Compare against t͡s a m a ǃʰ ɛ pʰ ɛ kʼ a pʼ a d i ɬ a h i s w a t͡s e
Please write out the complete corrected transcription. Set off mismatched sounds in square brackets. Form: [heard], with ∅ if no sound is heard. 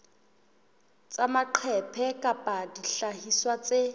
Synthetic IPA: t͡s a m a ǃʰ ɛ pʰ ɛ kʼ a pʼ a d i ɬ a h i s w a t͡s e